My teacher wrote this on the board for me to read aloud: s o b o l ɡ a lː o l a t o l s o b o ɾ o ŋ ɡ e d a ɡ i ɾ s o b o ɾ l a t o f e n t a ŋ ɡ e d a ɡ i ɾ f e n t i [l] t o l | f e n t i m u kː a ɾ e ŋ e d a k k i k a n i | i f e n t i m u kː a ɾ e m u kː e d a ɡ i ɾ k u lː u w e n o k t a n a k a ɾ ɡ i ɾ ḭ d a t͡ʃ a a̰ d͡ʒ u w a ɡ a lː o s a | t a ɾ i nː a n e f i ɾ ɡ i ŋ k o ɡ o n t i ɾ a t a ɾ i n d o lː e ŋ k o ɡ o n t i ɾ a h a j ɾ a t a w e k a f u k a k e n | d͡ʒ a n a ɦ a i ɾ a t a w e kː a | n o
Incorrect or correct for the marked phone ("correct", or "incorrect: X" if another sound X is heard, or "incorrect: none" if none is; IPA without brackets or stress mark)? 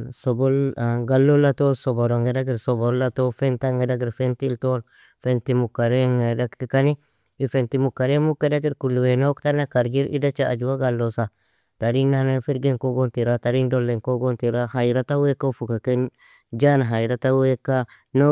correct